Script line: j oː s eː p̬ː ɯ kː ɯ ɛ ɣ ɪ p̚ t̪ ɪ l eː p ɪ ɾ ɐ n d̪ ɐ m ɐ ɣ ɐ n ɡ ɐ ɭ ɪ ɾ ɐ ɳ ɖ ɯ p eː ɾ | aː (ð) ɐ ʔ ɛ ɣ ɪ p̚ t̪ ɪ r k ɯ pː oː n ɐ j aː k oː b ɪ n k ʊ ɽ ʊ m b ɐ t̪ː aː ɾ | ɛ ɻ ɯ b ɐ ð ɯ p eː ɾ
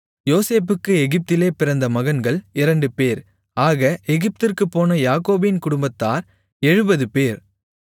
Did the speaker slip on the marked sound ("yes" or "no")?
yes